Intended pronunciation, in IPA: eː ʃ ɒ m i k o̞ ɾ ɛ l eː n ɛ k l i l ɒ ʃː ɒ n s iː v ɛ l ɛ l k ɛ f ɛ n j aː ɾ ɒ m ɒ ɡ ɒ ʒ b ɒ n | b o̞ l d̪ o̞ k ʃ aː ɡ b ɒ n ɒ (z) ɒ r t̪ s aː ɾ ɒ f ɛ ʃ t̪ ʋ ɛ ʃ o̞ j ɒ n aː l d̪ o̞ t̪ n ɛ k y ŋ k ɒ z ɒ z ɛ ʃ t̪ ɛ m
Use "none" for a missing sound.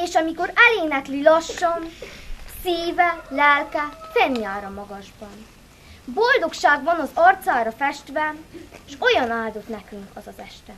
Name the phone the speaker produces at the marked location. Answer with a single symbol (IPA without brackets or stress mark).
z